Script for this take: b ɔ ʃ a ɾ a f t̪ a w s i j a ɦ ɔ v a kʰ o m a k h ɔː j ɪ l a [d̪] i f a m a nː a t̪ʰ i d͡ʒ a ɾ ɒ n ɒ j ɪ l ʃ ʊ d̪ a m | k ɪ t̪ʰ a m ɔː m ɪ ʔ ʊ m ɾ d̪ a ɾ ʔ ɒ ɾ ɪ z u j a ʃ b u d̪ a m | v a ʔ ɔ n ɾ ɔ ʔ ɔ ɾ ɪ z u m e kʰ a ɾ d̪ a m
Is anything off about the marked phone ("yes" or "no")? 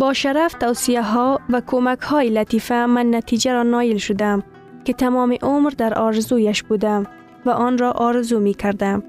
yes